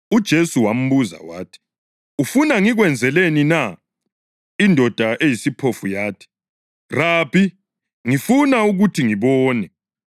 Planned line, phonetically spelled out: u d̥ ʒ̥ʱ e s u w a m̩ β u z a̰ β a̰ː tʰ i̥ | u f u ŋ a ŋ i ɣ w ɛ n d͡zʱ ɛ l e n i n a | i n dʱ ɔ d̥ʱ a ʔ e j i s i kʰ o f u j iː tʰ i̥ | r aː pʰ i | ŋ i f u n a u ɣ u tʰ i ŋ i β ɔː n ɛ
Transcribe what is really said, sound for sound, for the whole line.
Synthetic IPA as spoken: u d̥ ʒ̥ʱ e s u w a m̩ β u z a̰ w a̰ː tʰ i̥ | u f u n a ŋ i ɣ w ɛ n d͡zʱ ɛ l e n i n a | i n dʱ ɔ d̥ʱ a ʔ e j i s i pʰ o f u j aː tʰ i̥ | r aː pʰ i | ŋ i f u n a u ɣ u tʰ i ŋ i β ɔː n ɛ

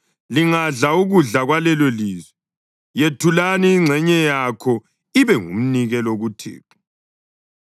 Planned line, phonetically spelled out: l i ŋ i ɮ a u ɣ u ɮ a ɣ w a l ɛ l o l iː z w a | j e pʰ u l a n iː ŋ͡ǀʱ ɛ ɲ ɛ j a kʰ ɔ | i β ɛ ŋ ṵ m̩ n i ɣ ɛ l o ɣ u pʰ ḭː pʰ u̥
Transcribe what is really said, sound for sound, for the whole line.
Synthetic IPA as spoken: l i ŋ a ɮ a u ɣ u ɮ a ɣ w a l ɛ l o l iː z w ɛ | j e tʰ u l a n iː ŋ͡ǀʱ ɛ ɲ ɛ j a kʰ ɔ | i β ɛ ŋ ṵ m̩ n i ɣ ɛ l o ɣ u tʰ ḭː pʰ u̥

